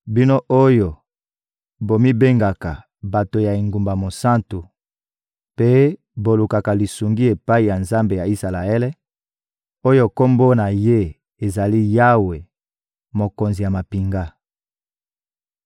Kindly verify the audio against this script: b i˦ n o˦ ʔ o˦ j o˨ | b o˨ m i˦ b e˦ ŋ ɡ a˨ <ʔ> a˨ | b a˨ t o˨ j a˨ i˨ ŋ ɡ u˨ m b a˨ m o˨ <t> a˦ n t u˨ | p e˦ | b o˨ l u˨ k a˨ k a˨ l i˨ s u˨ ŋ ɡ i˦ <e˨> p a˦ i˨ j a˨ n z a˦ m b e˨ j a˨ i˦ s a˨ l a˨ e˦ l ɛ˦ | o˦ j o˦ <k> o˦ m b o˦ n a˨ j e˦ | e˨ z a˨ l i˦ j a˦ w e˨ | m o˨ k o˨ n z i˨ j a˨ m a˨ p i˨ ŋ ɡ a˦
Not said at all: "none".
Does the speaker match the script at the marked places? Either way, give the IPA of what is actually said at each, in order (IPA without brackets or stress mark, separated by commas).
k, s, e˨, k